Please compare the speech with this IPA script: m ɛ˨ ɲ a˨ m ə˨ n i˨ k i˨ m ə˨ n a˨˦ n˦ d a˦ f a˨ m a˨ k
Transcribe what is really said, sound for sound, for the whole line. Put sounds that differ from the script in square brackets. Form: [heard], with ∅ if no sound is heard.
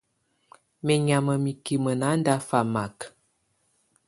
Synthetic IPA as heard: m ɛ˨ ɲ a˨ m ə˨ [m] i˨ k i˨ m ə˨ n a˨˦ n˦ d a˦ f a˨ m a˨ k